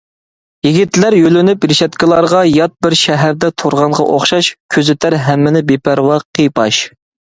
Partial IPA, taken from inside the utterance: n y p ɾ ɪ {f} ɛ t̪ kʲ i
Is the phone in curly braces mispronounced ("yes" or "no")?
yes